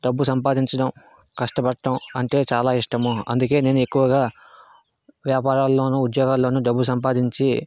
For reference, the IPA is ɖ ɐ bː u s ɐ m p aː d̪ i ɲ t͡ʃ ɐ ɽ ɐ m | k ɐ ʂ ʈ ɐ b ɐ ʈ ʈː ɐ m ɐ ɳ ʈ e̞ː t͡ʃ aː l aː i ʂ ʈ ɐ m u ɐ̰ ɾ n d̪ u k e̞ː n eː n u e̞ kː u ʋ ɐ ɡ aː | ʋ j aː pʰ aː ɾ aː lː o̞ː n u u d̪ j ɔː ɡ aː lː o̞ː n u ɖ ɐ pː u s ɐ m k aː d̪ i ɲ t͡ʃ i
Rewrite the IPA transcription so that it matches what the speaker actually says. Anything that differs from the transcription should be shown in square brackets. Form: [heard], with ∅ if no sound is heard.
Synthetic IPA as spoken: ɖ ɐ bː u s ɐ m p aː d̪ i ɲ t͡ʃ ɐ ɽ ɐ m | k ɐ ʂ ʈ ɐ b ɐ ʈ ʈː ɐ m ɐ ɳ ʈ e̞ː t͡ʃ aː l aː i ʂ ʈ ɐ m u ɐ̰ [∅] n d̪ u k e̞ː n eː n u e̞ kː u ʋ ɐ ɡ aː | ʋ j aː [p] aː ɾ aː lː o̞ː n u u d̪ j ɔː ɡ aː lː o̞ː n u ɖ ɐ [bː] u s ɐ m [p] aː d̪ i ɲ t͡ʃ i